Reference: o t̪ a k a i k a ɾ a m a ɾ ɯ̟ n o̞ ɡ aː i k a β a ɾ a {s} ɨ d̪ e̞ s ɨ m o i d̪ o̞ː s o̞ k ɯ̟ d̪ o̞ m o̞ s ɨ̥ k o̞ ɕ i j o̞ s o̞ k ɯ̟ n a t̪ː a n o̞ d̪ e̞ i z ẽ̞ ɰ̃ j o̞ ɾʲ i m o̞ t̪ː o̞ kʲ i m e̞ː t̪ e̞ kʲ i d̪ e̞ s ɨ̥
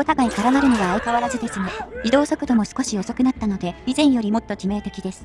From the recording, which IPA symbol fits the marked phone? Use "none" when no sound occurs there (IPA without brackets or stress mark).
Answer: z